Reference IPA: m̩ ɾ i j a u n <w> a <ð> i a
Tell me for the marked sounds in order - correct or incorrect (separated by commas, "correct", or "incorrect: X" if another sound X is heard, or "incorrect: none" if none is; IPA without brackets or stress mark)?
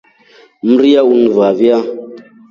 incorrect: v, incorrect: v